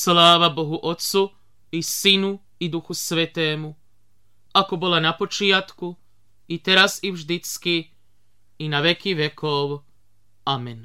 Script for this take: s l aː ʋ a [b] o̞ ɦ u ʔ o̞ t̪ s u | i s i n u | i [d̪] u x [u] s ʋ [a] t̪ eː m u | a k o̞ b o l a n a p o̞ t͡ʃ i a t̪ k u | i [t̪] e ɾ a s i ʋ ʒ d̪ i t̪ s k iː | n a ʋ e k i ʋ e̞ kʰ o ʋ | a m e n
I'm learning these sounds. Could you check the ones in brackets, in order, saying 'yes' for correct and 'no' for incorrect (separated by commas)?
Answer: yes, yes, yes, no, yes